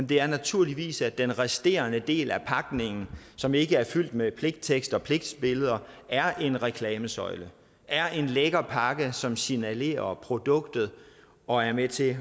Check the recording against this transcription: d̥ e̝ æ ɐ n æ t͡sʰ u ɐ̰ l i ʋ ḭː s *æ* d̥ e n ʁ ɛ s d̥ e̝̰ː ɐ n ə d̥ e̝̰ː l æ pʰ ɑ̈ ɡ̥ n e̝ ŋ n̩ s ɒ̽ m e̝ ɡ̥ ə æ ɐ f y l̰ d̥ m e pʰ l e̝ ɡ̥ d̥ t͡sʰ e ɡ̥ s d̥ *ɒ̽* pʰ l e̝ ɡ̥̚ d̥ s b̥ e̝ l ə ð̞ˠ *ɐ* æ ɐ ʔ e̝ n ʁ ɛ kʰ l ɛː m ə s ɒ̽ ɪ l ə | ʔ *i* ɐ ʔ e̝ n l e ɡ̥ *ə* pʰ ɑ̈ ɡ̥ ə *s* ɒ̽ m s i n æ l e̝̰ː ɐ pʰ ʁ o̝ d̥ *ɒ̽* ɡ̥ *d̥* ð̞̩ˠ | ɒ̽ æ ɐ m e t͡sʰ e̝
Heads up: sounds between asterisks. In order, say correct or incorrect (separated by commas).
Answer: correct, correct, correct, incorrect, incorrect, correct, incorrect, correct